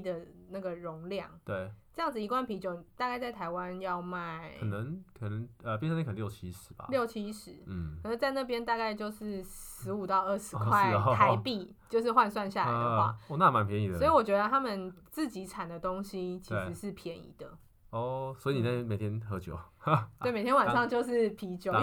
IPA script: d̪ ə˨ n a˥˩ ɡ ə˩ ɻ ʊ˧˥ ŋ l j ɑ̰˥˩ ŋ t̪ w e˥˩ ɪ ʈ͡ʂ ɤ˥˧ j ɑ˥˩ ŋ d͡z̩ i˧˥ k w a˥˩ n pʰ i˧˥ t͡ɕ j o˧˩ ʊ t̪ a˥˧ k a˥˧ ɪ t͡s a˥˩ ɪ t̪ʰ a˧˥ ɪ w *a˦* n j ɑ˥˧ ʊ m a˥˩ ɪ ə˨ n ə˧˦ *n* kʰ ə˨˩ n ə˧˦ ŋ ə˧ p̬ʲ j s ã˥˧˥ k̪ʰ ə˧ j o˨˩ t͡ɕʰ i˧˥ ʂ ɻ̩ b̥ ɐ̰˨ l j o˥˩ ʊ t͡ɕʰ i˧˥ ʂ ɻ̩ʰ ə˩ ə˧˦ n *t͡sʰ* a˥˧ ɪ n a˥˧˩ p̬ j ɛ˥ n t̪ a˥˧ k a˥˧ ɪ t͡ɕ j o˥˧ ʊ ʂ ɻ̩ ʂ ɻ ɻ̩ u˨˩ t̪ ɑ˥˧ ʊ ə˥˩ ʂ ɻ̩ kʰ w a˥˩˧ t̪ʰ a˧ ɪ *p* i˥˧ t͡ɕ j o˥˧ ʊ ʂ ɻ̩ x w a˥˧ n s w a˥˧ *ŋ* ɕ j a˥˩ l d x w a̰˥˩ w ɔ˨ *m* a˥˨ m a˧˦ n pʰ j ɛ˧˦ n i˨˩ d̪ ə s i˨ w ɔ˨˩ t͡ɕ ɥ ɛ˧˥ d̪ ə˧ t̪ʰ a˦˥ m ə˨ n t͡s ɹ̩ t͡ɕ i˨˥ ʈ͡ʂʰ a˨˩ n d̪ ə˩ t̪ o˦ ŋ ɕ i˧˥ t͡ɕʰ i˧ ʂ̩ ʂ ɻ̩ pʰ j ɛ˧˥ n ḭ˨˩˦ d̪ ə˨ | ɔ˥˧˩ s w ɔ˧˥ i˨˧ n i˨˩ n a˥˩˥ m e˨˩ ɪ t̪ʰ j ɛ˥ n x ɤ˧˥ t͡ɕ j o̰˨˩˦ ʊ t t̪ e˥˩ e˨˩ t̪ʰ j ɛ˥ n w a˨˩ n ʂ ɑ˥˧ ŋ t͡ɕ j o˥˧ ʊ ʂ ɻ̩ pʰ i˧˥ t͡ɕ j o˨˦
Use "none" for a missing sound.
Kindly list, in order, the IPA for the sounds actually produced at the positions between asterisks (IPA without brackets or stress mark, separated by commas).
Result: a˦, ŋ, t͡s, p, n, n